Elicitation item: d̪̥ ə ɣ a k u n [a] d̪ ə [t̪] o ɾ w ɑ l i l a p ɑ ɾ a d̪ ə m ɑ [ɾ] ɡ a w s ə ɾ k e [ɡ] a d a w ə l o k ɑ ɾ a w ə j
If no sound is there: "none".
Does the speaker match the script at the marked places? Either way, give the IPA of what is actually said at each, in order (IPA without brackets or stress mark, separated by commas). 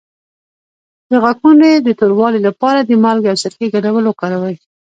e, t̪, l, ɡ